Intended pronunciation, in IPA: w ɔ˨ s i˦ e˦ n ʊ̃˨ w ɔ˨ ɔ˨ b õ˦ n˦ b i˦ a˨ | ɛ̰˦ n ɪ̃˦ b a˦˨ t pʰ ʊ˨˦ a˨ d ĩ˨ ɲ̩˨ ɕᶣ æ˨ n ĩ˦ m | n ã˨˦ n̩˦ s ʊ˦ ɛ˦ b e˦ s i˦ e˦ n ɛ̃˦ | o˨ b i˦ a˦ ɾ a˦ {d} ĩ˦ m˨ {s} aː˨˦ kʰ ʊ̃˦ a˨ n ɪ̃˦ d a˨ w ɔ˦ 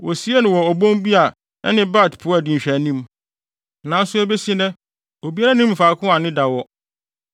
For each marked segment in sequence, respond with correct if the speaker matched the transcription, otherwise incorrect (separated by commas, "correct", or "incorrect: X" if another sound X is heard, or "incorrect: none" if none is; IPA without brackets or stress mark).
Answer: incorrect: n, incorrect: f